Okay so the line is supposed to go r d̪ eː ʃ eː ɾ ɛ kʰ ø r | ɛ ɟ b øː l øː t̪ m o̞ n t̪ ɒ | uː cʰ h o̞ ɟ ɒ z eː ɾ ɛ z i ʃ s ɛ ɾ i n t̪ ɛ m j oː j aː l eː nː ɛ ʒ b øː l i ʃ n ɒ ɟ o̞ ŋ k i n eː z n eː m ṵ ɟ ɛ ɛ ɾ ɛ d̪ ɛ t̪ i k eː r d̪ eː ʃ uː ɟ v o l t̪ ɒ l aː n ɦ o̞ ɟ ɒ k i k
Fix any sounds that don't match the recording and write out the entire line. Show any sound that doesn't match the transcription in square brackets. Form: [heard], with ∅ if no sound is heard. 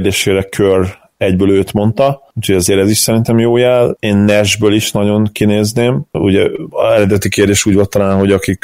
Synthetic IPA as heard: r d̪ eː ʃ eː ɾ ɛ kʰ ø r | ɛ ɟ b øː l øː t̪ m o̞ n t̪ ɒ | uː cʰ h o̞ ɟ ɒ z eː ɾ ɛ z i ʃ s ɛ ɾ i n t̪ ɛ m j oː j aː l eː nː ɛ ʒ b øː l i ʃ n ɒ ɟ o̞ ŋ k i n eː z n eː m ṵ ɟ ɛ ɛ ɾ ɛ d̪ ɛ t̪ i k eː r d̪ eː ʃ uː ɟ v o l t̪ ɒ l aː n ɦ o̞ ɟ ɒ k i k